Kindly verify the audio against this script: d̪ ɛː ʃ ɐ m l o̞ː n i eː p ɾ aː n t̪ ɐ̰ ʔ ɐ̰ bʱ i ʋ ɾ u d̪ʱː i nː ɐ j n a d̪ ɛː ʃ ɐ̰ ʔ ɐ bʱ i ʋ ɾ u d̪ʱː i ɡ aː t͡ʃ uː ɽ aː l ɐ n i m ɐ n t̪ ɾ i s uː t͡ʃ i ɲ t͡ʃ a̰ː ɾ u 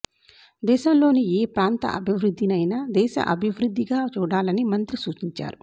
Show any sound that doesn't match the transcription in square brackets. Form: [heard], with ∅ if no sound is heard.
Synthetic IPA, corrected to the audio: d̪ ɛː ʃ ɐ m l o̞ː n i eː p ɾ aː n t̪ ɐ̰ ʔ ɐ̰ bʱ i ʋ ɾ u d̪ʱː i [n] ɐ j n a d̪ ɛː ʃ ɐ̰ ʔ ɐ bʱ i ʋ ɾ u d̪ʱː i ɡ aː t͡ʃ uː ɽ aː l ɐ n i m ɐ n t̪ ɾ i s uː t͡ʃ i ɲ t͡ʃ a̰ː ɾ u